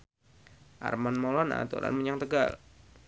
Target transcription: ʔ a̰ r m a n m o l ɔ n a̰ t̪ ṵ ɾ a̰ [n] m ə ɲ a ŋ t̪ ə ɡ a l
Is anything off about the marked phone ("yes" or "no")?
no